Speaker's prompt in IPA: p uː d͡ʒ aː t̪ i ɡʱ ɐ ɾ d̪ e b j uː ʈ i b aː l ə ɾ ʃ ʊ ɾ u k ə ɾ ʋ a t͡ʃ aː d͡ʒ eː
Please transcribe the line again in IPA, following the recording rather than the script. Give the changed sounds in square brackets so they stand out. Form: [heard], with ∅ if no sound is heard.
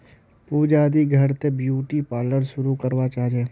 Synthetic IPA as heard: p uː d͡ʒ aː [d̪] i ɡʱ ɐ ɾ [t̪] e b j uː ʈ i [p] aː l ə ɾ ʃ ʊ ɾ u k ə ɾ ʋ a t͡ʃ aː d͡ʒ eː